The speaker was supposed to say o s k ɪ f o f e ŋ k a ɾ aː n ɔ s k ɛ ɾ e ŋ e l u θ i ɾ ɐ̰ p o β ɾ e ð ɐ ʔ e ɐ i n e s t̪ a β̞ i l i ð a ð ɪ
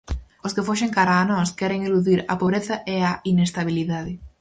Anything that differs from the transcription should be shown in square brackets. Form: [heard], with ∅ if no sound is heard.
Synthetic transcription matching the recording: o s k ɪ f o [ʃ] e ŋ k a ɾ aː n ɔ s k ɛ ɾ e ŋ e l u [ð] i ɾ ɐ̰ p o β ɾ e [θ] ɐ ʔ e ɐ i n e s t̪ a β̞ i l i ð a ð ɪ